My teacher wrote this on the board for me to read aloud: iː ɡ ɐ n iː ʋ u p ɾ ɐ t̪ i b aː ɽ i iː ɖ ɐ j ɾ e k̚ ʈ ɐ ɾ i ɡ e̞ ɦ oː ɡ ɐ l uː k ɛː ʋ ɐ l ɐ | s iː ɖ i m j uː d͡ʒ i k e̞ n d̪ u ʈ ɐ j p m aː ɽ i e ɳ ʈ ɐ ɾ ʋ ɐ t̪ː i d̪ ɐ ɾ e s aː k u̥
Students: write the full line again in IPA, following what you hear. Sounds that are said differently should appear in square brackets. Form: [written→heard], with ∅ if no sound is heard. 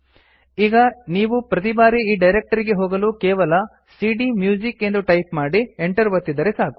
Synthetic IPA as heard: iː ɡ ɐ n iː ʋ u p ɾ ɐ t̪ i b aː [ɽ→ɾ] i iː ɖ ɐ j ɾ e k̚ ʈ ɐ ɾ i ɡ e̞ ɦ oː ɡ ɐ l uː k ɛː ʋ ɐ l ɐ | s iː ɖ i m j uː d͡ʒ i k e̞ n d̪ u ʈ ɐ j p m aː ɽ i e ɳ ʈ ɐ ɾ ʋ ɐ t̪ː i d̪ ɐ ɾ e s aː k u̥

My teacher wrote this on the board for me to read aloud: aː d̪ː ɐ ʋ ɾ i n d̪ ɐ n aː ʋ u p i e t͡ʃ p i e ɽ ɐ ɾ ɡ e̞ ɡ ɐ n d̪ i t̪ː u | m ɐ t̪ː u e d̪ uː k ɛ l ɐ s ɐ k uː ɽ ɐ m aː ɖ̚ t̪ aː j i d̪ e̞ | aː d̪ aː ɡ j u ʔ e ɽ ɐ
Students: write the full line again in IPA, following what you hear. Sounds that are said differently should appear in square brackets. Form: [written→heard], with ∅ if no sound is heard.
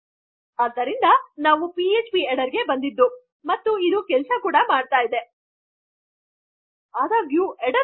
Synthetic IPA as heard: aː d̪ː ɐ [ʋ→∅] ɾ i n d̪ ɐ n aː ʋ u p i e t͡ʃ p i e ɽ ɐ ɾ ɡ e̞ [ɡ→b] ɐ n d̪ i [t̪ː→d̪ː] u | m ɐ t̪ː u [e→i] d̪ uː k ɛ l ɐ s ɐ k uː ɽ ɐ m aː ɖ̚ t̪ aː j i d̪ e̞ | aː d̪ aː ɡ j u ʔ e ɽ ɐ

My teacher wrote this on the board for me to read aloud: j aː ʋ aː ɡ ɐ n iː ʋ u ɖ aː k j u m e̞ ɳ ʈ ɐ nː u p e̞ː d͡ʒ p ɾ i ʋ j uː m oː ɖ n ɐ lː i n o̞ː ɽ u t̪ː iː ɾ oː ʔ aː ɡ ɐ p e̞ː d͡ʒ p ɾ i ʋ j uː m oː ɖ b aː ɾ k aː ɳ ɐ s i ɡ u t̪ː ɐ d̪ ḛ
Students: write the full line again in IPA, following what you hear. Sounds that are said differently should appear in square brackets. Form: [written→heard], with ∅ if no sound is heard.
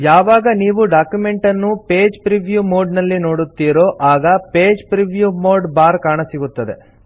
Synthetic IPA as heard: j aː ʋ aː ɡ ɐ n iː ʋ u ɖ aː k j u m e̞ ɳ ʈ ɐ nː u p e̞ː d͡ʒ p ɾ i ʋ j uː m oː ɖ n ɐ lː i n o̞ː ɽ u t̪ː iː ɾ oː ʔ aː ɡ ɐ p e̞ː d͡ʒ p ɾ i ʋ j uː m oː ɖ b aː ɾ k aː ɳ ɐ s i ɡ u t̪ː ɐ d̪ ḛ

